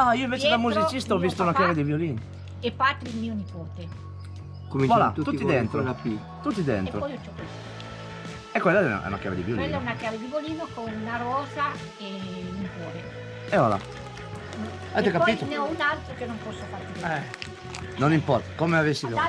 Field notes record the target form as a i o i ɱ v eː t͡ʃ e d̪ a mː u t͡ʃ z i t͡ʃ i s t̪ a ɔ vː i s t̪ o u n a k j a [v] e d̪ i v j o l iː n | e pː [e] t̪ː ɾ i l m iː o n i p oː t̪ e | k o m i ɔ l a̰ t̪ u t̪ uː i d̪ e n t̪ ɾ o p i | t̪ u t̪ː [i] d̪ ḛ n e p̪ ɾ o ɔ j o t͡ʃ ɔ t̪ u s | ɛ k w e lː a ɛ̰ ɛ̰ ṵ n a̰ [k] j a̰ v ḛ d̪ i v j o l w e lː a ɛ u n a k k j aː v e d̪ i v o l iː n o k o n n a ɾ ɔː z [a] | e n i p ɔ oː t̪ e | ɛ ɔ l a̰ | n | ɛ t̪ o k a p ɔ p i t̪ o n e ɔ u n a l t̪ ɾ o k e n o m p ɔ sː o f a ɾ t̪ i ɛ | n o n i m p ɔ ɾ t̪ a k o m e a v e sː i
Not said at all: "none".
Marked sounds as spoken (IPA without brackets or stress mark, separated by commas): v, a, i, k, a